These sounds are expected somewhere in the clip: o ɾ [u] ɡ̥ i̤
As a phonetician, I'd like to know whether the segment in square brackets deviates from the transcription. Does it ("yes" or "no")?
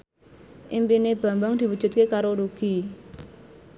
no